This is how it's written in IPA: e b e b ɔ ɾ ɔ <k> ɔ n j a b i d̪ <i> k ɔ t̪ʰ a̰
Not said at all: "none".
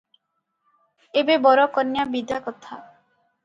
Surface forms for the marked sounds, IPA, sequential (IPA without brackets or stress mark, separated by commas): k, a